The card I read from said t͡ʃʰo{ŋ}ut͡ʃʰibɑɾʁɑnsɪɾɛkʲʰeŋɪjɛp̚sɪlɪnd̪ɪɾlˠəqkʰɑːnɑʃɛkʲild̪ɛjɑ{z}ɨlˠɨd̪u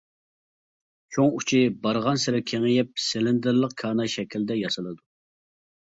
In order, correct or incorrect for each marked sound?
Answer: correct, incorrect: s

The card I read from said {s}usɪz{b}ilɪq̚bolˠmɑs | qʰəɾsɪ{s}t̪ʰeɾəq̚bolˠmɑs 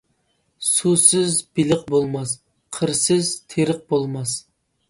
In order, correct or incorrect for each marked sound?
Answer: correct, correct, incorrect: z

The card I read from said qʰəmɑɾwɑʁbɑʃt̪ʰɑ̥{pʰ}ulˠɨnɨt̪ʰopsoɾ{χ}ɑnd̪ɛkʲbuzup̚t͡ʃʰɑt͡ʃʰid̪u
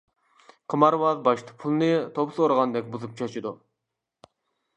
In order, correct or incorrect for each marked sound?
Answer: correct, incorrect: ʁ

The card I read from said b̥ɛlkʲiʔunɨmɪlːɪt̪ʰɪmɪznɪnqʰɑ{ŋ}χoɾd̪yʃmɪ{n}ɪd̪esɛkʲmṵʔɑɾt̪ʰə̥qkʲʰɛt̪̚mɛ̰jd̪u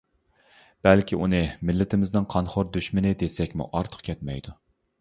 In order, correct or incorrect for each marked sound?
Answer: incorrect: n, correct

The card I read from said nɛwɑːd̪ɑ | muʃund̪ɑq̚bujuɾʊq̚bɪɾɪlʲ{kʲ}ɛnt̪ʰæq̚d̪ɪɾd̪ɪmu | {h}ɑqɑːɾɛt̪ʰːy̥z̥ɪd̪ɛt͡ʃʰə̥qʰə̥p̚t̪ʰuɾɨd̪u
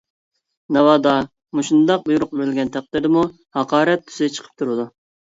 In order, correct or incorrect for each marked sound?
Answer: incorrect: ɡʲ, correct

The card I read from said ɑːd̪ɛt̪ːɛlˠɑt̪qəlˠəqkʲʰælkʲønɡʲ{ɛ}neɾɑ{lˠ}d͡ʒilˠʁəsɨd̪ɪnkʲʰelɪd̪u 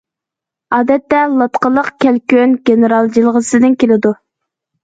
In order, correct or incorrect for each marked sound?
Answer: incorrect: e, correct

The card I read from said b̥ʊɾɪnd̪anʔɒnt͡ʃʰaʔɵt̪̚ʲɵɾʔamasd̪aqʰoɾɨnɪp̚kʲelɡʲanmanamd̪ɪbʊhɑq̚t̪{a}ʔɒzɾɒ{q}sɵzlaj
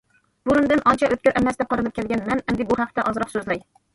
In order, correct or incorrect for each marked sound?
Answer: correct, correct

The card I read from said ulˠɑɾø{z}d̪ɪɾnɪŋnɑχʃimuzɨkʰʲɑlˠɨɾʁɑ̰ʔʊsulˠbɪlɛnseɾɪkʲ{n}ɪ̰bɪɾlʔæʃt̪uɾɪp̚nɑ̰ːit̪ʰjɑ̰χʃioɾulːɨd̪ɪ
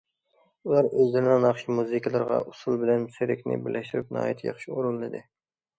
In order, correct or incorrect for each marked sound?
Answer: correct, correct

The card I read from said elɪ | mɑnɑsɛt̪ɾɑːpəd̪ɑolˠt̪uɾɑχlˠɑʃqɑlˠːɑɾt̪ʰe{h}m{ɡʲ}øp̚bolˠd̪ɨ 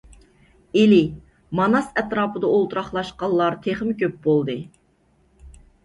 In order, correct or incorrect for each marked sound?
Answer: incorrect: χ, incorrect: kʲ

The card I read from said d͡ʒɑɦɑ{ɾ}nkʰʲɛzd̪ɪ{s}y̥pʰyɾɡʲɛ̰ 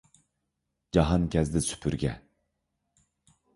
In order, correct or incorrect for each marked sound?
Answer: incorrect: none, correct

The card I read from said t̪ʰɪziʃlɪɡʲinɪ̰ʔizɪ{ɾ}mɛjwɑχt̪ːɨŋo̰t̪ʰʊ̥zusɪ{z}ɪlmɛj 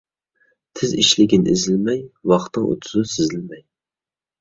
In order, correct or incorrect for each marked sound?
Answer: incorrect: l, correct

